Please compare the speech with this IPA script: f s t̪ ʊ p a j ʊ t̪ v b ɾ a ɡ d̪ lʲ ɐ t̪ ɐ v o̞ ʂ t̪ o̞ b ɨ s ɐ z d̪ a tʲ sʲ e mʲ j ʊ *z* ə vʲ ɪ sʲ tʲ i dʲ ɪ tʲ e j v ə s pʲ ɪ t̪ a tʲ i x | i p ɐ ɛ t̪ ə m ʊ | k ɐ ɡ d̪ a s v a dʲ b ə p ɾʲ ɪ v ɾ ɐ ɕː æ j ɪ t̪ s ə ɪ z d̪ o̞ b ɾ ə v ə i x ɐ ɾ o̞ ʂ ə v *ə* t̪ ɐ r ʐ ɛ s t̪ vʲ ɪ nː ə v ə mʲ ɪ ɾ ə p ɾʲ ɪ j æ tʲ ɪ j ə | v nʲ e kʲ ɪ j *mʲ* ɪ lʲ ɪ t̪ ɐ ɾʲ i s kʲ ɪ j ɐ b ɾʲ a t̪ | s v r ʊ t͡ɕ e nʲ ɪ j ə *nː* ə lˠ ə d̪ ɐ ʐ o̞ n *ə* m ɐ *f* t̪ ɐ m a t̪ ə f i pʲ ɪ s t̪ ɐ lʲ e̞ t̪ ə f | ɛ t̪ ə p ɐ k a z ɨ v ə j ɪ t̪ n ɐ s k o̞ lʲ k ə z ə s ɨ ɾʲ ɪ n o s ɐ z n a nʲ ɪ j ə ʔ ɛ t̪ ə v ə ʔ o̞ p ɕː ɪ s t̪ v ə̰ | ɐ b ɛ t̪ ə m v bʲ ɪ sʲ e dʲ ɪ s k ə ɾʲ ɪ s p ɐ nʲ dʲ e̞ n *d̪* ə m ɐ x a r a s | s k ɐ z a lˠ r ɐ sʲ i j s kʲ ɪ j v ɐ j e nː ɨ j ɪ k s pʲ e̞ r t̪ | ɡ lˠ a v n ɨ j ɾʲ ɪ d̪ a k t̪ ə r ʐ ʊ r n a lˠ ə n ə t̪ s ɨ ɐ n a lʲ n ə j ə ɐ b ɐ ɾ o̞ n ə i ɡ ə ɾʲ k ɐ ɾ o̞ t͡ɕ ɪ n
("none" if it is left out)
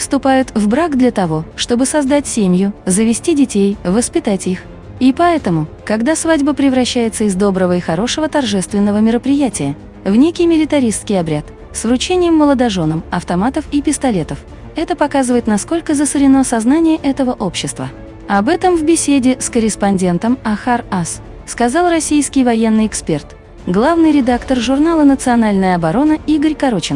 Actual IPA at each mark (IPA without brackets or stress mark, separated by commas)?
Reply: z, ə, mʲ, mː, ə, f, t̪